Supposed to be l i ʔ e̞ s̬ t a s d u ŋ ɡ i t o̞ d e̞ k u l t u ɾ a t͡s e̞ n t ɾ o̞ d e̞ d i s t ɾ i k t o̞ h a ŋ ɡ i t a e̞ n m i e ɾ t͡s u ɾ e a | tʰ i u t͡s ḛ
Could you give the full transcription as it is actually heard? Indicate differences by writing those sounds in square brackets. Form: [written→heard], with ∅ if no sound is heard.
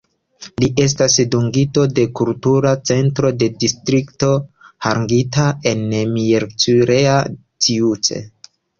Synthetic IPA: l i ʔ e̞ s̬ t a s d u ŋ ɡ i t o̞ d e̞ k u l t u ɾ a t͡s e̞ n t ɾ o̞ d e̞ d i s t ɾ i k t o̞ h a ŋ ɡ i t a e̞ n m i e ɾ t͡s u ɾ e a | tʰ i u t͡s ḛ